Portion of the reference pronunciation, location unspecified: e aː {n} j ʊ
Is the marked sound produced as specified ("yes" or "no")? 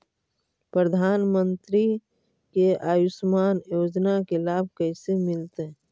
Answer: no